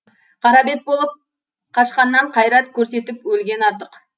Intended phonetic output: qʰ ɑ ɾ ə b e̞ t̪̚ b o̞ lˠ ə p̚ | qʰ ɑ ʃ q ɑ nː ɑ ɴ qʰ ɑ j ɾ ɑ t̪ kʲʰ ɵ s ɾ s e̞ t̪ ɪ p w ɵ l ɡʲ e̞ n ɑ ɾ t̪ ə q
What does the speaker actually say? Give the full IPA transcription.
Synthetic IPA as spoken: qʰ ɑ ɾ ɑ b e̞ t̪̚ b o̞ lˠ ə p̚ | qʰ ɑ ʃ q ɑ nː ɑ ɴ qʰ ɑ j ɾ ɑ t̪ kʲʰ ɵ ɾ s e̞ t̪ ɪ p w ɵ l ɡʲ e̞ n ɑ ɾ t̪ ə q